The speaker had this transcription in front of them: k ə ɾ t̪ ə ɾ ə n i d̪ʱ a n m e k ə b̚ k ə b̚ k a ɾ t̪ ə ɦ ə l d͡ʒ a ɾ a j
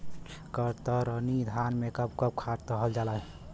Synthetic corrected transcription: k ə ɾ t̪ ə ɾ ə n i d̪ʱ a n m e k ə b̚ k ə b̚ kʰ a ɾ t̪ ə ɦ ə l d͡ʒ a l a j